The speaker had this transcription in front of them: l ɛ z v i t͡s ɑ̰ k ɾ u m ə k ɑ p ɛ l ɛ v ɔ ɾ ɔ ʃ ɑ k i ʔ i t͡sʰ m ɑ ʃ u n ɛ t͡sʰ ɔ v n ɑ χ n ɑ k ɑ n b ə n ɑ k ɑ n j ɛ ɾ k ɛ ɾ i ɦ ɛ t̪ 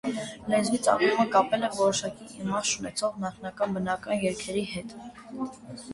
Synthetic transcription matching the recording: l ɛ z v i t͡s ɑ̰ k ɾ u m ə k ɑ p ɛ l ɛ v ɔ ɾ ɔ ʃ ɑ k i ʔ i m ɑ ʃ u n ɛ t͡sʰ ɔ ʁ n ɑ χ n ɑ k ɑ n b ə n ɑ k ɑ n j ɛ ɾ kʰ ɛ ɾ i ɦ ɛ t̪